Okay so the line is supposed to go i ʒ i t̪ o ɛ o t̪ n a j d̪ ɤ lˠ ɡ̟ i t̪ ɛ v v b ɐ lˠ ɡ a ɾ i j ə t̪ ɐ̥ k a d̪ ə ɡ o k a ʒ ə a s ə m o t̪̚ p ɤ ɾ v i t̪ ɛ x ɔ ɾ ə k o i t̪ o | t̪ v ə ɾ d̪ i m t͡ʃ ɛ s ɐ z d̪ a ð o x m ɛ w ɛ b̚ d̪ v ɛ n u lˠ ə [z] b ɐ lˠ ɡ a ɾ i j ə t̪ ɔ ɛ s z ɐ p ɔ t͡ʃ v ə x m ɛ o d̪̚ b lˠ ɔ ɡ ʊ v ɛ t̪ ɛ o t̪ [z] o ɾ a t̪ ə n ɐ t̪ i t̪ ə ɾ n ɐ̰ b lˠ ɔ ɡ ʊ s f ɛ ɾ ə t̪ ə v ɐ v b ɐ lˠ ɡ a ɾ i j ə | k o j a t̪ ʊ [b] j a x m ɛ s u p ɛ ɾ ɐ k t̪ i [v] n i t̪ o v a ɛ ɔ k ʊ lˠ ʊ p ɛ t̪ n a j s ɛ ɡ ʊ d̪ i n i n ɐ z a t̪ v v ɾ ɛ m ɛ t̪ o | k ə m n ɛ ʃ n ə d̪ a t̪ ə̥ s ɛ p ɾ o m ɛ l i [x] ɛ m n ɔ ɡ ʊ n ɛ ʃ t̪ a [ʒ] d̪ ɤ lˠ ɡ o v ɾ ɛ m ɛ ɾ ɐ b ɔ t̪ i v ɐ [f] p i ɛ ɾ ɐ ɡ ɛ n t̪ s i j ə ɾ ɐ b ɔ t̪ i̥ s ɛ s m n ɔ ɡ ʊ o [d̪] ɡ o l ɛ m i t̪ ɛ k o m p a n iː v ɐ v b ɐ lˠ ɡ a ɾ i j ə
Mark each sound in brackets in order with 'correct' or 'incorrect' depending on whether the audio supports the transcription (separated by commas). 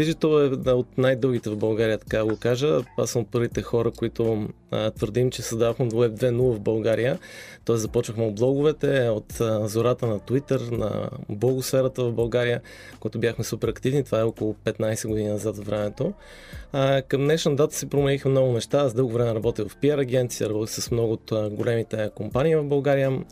incorrect, correct, correct, correct, correct, incorrect, correct, incorrect